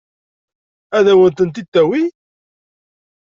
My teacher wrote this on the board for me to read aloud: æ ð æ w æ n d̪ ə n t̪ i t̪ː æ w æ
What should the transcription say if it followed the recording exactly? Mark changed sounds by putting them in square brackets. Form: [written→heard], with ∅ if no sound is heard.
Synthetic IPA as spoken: æ ð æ w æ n [d̪→t̪] ə n t̪ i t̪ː æ w [æ→i]

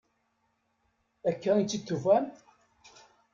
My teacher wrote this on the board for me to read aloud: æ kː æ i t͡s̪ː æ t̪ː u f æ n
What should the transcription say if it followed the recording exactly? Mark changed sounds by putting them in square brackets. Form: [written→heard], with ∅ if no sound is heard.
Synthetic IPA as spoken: æ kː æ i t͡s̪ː [æ→i] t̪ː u [f→v] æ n

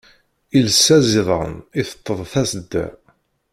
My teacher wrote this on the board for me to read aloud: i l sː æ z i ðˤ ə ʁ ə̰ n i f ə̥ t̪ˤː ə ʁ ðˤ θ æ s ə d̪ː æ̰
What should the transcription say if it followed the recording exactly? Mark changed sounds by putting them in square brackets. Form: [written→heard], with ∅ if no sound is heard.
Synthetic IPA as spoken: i l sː æ z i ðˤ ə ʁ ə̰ n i [f→θ] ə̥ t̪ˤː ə [ʁ→∅] ðˤ θ æ s ə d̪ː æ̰

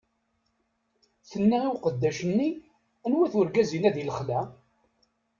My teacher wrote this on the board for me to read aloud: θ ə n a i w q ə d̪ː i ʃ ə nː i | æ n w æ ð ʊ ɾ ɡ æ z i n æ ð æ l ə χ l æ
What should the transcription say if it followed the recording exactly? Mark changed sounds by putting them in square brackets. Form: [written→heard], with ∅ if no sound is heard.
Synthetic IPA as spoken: θ ə [n→nː] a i w q ə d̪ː [i→æ] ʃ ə nː i | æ n w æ [ð→θ] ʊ ɾ ɡ æ z i n æ ð [æ→i] l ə χ l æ

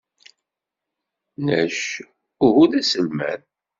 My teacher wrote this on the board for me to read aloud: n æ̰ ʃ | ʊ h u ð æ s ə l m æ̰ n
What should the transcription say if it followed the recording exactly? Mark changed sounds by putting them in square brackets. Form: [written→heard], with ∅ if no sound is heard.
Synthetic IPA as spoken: n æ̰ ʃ | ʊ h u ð æ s ə l m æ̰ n

